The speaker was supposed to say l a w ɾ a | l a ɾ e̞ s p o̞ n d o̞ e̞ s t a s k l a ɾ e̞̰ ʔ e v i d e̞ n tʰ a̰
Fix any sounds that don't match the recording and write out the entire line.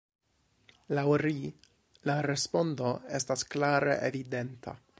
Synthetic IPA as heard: l a w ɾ i | l a ɾ e̞ s p o̞ n d o̞ e̞ s t a s k l a ɾ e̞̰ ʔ e v i d e̞ n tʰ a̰